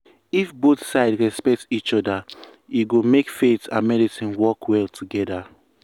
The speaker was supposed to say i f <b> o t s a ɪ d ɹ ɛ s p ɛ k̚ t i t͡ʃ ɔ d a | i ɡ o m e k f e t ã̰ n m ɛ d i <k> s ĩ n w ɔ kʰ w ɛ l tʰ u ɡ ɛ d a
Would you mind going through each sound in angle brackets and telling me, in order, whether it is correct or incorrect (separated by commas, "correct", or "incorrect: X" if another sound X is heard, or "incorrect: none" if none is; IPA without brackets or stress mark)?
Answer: correct, incorrect: none